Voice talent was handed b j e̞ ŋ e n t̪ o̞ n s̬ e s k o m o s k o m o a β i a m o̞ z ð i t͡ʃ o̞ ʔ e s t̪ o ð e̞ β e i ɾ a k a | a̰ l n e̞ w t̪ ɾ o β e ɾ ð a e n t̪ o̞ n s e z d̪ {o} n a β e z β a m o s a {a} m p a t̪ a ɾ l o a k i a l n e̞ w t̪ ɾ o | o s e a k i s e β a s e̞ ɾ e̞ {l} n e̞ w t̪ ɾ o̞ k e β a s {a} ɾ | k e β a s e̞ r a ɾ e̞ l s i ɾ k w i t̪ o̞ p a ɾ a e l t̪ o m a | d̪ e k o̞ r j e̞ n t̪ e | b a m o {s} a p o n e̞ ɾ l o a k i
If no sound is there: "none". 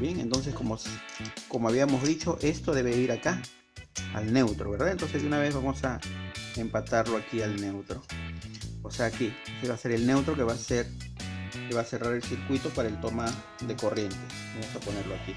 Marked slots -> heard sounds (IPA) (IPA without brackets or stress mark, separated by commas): u, e, l, e, s